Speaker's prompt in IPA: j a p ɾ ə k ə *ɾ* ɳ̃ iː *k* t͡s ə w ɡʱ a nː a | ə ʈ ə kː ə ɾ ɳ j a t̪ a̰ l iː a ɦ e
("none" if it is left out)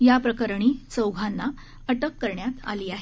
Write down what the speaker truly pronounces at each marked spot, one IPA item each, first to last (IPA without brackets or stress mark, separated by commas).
ɾ, none